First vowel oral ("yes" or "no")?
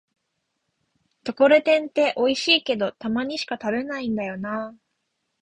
yes